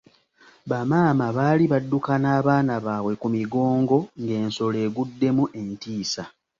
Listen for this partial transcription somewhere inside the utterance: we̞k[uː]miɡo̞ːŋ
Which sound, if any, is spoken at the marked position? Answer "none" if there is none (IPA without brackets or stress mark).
u